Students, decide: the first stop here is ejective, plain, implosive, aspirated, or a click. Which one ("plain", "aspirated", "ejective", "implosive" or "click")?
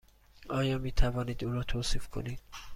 aspirated